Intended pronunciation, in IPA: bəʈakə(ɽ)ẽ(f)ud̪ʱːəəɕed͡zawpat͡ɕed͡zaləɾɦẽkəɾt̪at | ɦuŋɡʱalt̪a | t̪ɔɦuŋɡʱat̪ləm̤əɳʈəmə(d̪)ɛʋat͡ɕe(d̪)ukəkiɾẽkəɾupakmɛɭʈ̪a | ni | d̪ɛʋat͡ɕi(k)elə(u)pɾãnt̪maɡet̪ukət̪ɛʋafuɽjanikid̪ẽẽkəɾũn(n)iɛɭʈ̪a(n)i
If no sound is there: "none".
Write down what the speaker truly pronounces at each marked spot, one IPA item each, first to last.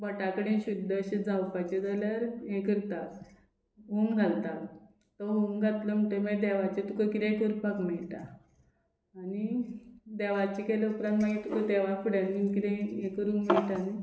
ɽ, ɕ, d̪, t̪, k, u, m, n

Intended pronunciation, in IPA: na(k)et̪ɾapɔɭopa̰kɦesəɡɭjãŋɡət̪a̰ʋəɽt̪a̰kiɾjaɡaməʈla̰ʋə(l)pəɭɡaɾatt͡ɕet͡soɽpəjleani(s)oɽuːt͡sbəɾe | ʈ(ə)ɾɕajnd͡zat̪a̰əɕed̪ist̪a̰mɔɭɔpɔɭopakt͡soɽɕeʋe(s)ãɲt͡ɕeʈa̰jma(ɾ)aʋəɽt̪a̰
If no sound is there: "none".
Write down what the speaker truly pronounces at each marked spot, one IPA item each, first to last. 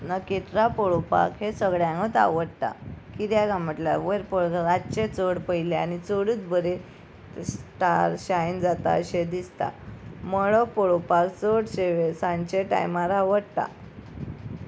k, ɾ, t͡s, a, s, ɾ

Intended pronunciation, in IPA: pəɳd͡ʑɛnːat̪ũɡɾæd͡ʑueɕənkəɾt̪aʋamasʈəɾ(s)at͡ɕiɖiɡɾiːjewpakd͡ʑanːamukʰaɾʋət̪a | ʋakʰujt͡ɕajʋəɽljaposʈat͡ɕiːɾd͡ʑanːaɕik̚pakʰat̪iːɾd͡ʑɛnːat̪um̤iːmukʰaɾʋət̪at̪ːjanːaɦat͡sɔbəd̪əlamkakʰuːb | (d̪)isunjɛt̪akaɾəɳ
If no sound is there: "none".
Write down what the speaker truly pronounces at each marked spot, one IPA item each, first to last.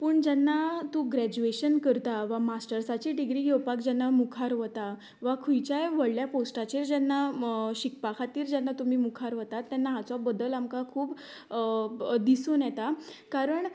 s, d̪

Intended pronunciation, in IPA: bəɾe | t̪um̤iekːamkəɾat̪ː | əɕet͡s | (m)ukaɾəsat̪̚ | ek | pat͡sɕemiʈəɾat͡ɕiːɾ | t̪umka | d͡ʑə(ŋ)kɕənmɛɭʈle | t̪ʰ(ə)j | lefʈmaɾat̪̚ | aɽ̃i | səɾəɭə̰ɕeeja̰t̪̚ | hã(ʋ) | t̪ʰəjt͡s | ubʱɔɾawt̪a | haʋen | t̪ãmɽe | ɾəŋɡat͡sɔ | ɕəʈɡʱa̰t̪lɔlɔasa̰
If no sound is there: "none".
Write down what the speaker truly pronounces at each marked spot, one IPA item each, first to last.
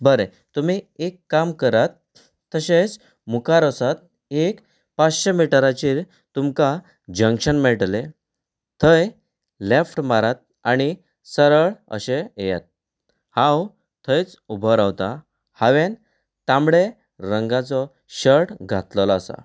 m, ŋ, ə, w

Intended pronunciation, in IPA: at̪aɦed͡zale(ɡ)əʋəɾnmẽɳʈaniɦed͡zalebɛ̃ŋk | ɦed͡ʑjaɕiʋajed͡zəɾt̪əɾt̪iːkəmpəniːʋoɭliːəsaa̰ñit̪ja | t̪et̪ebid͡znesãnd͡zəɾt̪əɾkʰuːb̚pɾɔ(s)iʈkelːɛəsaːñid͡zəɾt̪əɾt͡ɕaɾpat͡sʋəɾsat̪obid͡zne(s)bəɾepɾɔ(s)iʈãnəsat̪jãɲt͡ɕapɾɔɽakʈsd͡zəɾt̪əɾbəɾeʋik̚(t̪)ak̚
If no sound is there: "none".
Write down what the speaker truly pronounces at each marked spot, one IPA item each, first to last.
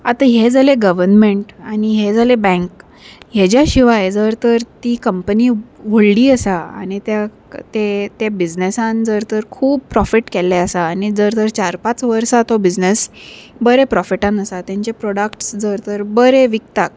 ɡ, f, s, f, t̪

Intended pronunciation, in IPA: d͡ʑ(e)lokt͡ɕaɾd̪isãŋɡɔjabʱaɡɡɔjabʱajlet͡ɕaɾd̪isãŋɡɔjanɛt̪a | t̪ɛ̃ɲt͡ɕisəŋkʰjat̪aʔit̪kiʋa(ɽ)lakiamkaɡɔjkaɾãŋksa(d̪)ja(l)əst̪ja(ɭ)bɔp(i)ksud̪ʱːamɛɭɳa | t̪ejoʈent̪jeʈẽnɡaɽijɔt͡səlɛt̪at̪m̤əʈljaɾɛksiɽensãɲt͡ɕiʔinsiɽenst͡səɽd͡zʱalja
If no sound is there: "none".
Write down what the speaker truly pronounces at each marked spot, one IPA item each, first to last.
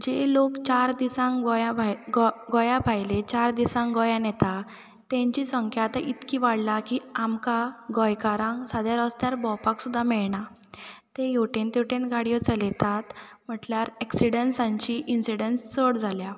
e, ɽ, d̪, ɾ, ɾ, a

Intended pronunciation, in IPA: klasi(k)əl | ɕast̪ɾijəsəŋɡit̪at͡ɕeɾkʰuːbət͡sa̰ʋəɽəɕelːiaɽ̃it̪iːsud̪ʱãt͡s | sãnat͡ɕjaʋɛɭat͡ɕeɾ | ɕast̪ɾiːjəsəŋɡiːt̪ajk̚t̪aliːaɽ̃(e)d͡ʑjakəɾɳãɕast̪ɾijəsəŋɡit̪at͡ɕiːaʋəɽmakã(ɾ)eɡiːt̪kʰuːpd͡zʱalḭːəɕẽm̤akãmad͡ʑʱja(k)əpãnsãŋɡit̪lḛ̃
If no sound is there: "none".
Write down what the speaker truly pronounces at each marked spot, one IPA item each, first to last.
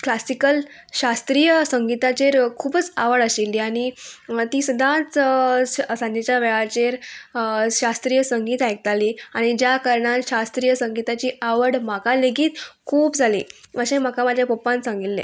k, i, l, p

